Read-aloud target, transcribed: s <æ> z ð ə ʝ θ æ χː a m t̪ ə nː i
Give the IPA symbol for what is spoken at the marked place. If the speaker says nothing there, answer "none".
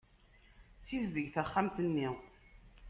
i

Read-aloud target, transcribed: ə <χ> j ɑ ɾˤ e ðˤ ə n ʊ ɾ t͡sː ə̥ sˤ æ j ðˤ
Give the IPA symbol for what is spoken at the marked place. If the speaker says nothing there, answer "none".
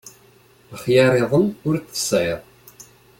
χ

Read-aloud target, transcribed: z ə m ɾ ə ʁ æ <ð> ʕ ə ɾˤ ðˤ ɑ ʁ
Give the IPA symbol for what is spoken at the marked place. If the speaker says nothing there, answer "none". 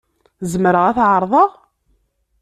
θ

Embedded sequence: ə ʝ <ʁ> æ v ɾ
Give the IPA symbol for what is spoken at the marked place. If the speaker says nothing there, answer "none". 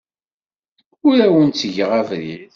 ʁ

